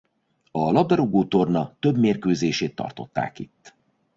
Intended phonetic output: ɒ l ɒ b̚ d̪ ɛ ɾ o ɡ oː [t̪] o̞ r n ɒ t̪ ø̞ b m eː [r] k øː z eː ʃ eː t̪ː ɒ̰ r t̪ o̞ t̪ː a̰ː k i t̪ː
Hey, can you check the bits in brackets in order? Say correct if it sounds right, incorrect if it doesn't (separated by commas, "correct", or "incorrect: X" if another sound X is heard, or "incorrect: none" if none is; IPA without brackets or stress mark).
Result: correct, correct